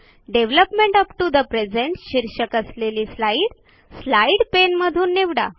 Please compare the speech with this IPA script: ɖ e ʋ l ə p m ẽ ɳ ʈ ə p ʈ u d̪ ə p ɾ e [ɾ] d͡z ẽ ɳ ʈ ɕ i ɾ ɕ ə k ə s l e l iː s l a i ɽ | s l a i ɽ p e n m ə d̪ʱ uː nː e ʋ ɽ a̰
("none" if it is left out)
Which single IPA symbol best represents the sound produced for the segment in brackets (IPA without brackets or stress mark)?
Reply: none